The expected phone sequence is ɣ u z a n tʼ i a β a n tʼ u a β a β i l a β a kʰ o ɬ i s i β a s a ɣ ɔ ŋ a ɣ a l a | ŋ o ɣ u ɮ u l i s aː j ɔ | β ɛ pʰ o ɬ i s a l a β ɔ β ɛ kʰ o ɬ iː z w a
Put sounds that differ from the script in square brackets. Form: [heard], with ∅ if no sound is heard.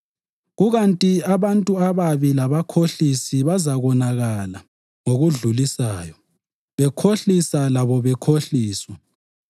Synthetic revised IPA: ɣ u [ɣ] a n tʼ i a β a n tʼ u a β a β i l a β a kʰ o ɬ i s i β a [z] a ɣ ɔ [n] a ɣ a l a | ŋ o ɣ u ɮ u l i s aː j ɔ | β ɛ [kʰ] o ɬ i s a l a β ɔ β ɛ kʰ o ɬ iː [s] w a